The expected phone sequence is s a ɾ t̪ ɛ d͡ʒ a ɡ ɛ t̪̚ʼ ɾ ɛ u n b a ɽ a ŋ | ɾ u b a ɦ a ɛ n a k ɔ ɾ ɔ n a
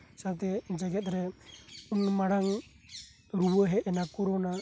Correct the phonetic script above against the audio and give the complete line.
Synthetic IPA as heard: s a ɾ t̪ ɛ d͡ʒ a ɡ ɛ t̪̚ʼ ɾ ɛ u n m a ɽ a ŋ | ɾ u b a ɦ ɛ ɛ n a k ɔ ɾ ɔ n a